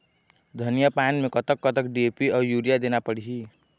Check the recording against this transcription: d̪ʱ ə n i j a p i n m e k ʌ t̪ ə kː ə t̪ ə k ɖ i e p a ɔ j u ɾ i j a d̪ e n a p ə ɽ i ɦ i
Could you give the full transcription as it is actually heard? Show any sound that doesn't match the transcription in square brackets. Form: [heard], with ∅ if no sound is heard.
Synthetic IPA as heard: d̪ʱ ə n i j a p [a] n m e k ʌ t̪ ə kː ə t̪ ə k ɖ i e p [i] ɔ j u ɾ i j a d̪ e n a p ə ɽ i ɦ i